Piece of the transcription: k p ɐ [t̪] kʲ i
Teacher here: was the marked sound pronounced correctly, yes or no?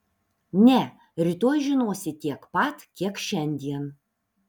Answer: yes